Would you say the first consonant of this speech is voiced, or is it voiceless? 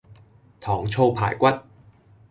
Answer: voiceless